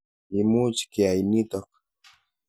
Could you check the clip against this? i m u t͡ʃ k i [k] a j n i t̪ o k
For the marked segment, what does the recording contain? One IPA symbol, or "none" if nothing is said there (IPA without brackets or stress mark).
none